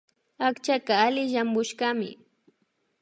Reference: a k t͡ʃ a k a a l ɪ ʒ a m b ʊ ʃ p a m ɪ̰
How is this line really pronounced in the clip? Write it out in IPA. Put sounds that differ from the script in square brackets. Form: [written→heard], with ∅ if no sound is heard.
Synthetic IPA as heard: a k t͡ʃ a k a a l ɪ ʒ a m b ʊ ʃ [p→k] a m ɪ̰